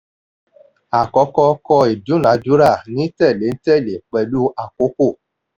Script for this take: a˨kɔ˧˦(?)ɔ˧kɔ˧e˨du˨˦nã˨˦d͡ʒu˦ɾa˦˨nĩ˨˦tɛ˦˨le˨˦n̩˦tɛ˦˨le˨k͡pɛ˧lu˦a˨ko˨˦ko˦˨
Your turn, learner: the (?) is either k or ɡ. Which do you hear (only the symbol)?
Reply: k